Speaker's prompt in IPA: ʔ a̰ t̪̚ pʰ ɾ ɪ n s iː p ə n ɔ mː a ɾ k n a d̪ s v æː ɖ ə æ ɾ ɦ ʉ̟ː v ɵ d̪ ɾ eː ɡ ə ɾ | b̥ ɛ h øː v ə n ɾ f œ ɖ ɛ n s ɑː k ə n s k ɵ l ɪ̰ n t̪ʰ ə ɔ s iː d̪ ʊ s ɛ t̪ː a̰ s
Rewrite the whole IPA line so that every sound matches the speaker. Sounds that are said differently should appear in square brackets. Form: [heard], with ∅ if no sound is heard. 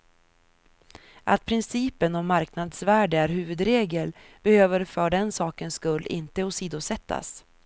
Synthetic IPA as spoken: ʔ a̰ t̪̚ pʰ ɾ ɪ n s iː p ə n ɔ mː a ɾ k n a d̪ s v æː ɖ ə æ ɾ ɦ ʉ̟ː v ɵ d̪ ɾ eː ɡ ə [l] | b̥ ɛ h øː v ə [∅] ɾ f œ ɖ ɛ n s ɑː k ə n s k ɵ [lː] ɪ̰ n [t̪] ə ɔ s iː d̪ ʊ s ɛ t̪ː a̰ s